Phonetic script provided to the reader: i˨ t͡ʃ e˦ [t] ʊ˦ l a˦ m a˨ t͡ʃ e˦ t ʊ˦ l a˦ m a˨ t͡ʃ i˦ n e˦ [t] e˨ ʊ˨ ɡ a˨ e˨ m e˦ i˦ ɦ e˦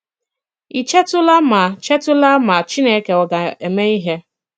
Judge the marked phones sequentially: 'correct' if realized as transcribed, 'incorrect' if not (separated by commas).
correct, incorrect